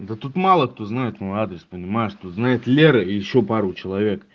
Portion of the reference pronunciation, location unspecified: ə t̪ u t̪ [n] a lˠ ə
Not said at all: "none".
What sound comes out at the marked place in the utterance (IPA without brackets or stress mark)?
m